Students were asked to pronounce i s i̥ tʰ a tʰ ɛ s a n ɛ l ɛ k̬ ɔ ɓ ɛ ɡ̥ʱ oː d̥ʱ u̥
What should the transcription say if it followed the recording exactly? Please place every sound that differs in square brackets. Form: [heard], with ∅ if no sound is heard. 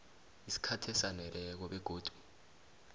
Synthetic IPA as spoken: i s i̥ [kʰ] a tʰ ɛ s a n ɛ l ɛ k̬ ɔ ɓ ɛ ɡ̥ʱ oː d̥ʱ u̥